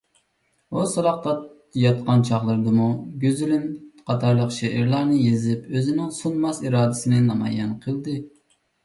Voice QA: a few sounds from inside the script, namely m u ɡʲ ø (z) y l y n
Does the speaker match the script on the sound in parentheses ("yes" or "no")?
yes